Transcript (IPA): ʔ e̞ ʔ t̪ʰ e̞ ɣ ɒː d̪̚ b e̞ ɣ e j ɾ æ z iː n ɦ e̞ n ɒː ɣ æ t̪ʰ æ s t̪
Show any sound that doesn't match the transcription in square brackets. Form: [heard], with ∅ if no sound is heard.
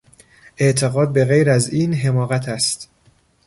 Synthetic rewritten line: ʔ e̞ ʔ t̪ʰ e̞ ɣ ɒː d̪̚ b e̞ ɣ e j ɾ æ z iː n ɦ e̞ [m] ɒː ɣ æ t̪ʰ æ s t̪